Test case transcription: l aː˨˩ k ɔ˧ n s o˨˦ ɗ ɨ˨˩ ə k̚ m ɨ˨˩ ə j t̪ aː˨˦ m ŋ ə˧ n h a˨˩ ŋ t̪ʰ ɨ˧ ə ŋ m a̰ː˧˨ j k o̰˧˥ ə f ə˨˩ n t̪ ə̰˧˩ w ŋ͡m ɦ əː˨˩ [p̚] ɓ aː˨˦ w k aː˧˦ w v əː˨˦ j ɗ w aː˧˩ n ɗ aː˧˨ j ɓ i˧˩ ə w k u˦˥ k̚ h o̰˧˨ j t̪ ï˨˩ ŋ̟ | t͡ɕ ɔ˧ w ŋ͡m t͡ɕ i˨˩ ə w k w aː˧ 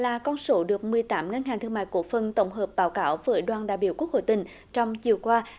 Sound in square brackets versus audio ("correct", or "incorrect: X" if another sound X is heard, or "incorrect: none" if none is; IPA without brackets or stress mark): correct